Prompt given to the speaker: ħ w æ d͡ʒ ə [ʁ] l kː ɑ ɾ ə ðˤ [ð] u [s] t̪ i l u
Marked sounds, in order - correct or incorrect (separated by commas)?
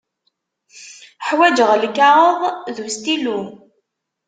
correct, correct, correct